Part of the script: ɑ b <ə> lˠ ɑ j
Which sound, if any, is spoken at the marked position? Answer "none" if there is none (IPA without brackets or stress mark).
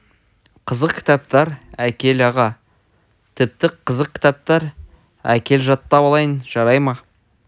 ɑ